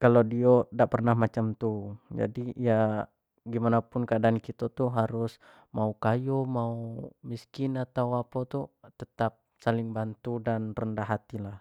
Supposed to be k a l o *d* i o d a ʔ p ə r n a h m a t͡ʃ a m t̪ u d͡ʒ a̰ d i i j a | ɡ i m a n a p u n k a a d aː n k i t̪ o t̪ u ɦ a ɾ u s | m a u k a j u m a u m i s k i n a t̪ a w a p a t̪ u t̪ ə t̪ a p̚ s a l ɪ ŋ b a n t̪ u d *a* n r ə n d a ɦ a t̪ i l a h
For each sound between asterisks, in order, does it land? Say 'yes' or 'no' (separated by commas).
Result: yes, yes